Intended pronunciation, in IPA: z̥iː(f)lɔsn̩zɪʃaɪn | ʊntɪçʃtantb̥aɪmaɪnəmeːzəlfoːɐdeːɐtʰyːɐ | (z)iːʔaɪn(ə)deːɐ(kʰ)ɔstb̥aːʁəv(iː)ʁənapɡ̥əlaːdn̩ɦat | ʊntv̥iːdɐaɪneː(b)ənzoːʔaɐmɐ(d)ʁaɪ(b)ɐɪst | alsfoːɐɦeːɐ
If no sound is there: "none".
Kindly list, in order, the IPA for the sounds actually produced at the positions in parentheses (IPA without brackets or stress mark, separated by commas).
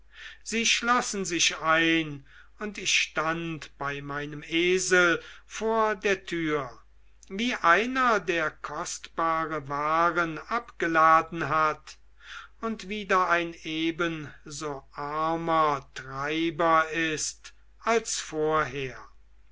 ʃ, v, ɐ, kʰ, aː, b, t, b